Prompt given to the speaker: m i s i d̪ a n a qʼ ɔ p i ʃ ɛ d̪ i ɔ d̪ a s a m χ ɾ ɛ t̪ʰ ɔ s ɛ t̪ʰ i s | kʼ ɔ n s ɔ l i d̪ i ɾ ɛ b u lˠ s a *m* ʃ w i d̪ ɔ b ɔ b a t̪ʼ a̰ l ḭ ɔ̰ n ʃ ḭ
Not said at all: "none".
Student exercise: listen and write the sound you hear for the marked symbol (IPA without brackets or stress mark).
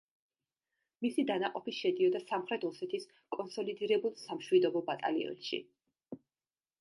m